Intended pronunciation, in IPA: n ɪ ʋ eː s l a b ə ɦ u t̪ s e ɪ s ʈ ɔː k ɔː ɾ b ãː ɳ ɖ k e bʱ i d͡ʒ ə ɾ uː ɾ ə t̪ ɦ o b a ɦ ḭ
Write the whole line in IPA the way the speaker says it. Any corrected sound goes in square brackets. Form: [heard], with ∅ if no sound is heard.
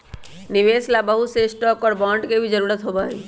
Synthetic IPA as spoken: n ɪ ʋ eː s l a b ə ɦ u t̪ s e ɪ s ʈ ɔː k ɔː ɾ b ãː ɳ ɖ k e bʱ i d͡ʒ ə ɾ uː ɾ ə t̪ ɦ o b a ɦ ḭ